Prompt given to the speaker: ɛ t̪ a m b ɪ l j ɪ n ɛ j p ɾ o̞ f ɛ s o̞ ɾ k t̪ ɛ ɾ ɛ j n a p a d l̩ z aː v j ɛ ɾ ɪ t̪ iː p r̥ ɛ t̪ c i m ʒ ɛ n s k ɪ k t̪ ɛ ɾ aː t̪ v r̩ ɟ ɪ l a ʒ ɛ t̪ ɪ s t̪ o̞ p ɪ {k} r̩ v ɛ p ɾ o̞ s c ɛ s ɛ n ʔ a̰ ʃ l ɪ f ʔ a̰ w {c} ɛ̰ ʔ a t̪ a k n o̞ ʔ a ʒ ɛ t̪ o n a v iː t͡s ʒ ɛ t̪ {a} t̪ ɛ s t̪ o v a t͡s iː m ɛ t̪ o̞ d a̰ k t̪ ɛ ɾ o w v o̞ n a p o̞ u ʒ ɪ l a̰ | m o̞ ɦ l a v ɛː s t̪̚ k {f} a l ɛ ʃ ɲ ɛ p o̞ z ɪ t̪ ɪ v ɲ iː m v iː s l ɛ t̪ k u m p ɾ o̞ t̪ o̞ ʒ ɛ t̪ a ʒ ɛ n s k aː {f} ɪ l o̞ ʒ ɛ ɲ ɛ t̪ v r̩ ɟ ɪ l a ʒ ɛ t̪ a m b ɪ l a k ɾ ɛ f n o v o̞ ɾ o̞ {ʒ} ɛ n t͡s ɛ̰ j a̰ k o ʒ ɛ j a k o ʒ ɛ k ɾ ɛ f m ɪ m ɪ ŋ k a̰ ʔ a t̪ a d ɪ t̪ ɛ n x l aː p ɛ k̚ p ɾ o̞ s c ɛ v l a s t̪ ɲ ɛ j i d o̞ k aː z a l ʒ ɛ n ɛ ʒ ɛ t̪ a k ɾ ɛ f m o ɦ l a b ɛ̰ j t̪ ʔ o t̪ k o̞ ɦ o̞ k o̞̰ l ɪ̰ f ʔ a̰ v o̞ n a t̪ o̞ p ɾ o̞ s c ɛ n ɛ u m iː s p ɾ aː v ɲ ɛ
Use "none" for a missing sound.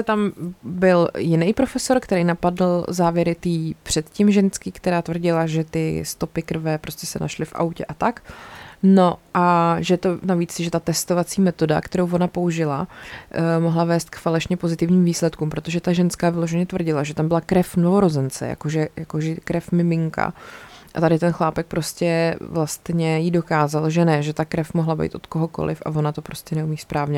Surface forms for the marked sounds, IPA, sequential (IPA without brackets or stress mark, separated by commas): k, c, a, f, v, z